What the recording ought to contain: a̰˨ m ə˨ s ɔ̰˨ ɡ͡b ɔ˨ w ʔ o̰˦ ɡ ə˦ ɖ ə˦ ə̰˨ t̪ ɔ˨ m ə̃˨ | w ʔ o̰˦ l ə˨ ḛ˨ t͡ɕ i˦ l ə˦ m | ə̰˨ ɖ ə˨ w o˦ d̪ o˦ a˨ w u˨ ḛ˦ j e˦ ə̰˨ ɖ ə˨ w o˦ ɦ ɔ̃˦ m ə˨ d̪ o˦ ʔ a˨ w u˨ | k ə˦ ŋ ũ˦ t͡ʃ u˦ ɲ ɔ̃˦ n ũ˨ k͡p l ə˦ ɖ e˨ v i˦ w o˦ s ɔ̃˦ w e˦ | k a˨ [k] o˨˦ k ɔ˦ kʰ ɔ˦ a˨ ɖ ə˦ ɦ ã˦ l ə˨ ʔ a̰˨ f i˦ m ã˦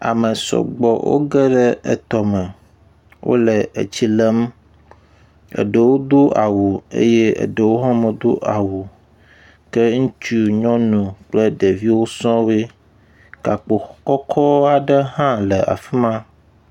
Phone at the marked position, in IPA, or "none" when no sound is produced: k͡p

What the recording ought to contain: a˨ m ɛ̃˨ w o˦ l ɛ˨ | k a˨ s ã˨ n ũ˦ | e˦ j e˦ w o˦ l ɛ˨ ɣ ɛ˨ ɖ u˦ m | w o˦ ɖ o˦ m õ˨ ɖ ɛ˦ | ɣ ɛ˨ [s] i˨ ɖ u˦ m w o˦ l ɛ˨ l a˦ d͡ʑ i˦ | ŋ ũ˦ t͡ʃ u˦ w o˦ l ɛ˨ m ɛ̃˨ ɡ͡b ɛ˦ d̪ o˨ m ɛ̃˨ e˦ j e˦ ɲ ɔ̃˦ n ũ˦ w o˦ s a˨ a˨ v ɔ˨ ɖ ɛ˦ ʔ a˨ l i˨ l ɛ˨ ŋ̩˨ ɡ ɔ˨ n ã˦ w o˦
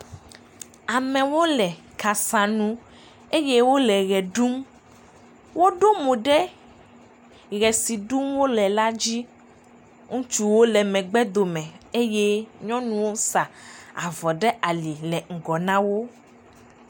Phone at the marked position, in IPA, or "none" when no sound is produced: s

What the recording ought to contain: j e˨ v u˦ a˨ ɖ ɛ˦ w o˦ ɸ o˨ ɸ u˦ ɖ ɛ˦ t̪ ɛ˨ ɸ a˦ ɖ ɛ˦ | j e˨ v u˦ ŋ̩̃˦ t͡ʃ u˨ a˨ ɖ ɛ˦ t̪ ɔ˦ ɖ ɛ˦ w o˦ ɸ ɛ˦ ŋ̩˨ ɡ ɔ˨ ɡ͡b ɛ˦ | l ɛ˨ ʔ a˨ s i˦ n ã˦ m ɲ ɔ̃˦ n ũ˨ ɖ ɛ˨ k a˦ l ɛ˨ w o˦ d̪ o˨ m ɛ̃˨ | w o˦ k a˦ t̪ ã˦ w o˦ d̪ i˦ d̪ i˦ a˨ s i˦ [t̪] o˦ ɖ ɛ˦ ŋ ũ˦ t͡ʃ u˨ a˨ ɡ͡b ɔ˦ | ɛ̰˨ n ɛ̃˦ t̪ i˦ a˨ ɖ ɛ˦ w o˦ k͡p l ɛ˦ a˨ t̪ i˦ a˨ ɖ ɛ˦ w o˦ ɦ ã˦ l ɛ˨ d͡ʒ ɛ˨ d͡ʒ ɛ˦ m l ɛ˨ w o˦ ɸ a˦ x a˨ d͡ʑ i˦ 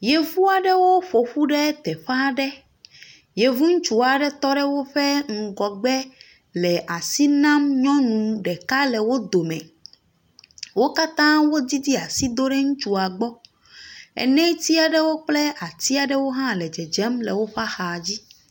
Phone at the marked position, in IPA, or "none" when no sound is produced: d̪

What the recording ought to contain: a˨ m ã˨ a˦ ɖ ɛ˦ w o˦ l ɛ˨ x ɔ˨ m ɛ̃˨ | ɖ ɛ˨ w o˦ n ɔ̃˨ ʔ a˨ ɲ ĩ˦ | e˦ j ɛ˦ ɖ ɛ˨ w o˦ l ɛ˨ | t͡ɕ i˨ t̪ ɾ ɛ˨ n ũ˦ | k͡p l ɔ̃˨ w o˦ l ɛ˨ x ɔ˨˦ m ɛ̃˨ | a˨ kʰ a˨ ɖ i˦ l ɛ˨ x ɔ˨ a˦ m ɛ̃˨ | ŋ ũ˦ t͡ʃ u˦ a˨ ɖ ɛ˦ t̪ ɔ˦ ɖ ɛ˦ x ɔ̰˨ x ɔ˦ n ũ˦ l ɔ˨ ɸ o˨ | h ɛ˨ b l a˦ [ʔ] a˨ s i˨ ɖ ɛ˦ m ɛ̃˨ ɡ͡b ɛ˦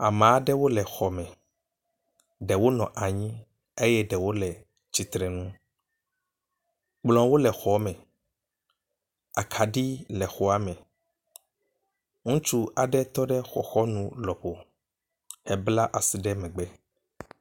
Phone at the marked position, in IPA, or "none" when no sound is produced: ʔ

